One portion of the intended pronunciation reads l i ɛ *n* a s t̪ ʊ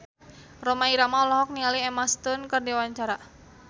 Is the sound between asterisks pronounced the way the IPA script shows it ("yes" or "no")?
no